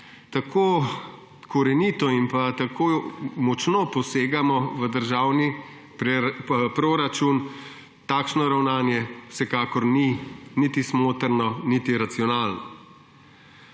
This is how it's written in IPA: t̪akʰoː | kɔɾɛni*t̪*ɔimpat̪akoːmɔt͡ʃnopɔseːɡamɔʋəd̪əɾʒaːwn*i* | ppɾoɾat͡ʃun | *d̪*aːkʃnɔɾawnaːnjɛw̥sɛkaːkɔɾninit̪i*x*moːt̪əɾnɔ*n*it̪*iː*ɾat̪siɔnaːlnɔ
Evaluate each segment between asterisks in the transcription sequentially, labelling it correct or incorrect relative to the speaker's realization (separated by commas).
correct, correct, incorrect, incorrect, correct, incorrect